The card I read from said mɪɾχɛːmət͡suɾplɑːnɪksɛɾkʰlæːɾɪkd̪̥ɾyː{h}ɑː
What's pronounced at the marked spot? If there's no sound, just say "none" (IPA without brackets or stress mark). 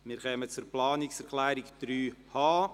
h